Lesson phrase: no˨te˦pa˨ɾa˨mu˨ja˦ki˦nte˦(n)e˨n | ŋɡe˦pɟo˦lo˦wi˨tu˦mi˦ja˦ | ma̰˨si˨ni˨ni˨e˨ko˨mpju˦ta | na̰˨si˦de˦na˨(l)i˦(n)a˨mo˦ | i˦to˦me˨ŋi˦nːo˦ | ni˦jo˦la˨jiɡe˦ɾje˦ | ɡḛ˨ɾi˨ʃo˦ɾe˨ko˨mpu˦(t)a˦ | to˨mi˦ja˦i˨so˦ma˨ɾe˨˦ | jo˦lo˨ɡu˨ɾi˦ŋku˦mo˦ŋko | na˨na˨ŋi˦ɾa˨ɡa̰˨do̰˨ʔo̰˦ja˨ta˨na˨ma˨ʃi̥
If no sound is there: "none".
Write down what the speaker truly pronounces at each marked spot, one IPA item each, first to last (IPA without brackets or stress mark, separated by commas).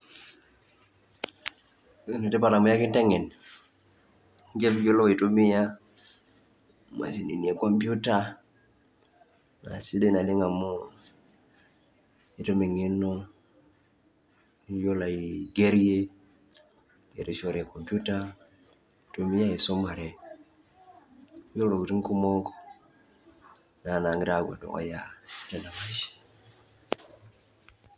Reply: ŋ, l, ŋ, t